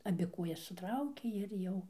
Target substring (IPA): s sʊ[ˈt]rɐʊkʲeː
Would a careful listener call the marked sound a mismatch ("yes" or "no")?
no